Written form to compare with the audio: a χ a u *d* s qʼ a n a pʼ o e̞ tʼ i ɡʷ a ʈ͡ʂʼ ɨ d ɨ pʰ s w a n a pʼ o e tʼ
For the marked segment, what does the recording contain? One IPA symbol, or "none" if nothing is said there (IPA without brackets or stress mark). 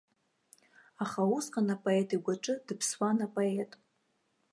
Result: none